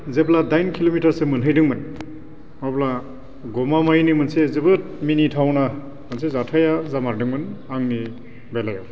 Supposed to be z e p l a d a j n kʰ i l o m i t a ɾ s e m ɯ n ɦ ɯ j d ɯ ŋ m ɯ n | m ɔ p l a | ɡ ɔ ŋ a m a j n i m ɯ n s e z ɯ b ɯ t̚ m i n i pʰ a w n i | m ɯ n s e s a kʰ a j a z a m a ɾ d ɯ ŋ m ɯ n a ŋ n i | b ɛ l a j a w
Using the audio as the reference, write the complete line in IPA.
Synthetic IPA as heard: z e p l a d a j n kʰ i l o m i t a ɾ s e m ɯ n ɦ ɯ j d ɯ ŋ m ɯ n | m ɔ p l a | ɡ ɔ m a m a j n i m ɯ n s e z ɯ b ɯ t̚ m i n i tʰ a w n a | m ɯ n s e z a tʰ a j a z a m a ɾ d ɯ ŋ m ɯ n a ŋ n i | b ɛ l a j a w